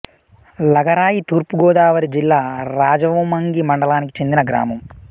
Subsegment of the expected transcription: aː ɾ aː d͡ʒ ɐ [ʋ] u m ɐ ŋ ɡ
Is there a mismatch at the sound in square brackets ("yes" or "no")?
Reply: no